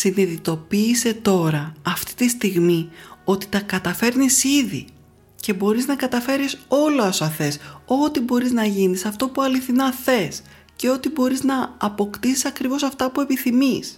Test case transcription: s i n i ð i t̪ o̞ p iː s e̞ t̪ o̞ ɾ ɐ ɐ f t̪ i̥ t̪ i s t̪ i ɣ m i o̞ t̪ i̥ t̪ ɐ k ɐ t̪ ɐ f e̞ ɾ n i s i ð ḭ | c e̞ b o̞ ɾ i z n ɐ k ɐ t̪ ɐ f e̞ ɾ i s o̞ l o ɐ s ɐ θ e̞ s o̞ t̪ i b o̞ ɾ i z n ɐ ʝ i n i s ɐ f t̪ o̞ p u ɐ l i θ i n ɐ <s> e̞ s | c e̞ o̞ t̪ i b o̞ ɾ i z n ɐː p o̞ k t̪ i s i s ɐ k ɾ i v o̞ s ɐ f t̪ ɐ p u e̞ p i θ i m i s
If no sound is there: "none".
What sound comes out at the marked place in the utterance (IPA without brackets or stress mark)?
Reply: θ